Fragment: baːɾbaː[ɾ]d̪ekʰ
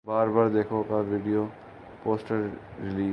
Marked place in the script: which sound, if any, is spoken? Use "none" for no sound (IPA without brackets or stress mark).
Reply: ɾ